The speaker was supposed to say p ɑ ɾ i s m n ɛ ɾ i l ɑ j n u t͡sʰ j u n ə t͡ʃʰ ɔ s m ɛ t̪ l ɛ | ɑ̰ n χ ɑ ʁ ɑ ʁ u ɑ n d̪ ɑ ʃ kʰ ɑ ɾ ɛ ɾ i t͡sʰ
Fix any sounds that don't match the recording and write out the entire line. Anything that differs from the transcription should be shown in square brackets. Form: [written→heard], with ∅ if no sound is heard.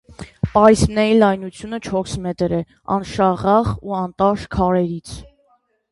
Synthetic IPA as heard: p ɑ ɾ i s m n ɛ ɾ i l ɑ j n u t͡sʰ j u n ə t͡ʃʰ ɔ s m ɛ t̪ [l→ɾ] ɛ | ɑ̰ n [χ→ʃ] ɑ ʁ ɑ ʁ u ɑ n [d̪→t̪] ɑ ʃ kʰ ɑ ɾ ɛ ɾ i t͡sʰ